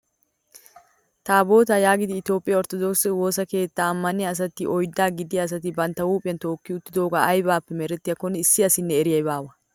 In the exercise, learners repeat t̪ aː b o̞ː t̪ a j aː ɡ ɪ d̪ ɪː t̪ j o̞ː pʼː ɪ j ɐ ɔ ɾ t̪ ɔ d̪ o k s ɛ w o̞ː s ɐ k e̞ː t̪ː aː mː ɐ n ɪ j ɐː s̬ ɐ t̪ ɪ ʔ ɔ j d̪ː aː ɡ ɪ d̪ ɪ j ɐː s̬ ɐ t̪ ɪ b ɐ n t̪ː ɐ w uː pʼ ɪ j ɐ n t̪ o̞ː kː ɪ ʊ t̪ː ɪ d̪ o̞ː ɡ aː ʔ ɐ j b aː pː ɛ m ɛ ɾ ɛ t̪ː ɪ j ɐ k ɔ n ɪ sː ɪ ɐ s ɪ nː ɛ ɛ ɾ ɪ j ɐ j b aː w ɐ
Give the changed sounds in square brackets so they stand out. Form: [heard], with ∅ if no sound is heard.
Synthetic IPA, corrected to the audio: t̪ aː b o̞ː t̪ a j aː ɡ ɪ d̪ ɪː t̪ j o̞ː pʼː ɪ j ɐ ɔ ɾ t̪ ɔ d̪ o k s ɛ w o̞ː s ɐ k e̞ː t̪ː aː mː ɐ n ɪ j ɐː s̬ ɐ t̪ ɪ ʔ ɔ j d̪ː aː ɡ ɪ d̪ ɪ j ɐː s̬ ɐ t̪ ɪ b ɐ n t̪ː ɐ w uː pʼ ɪ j ɐ n t̪ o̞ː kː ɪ ʊ t̪ː ɪ d̪ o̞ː ɡ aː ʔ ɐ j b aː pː ɛ m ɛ ɾ ɛ t̪ː ɪ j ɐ k ɔ n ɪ sː ɪ ɐ s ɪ nː ɛ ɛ ɾ ɪ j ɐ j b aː w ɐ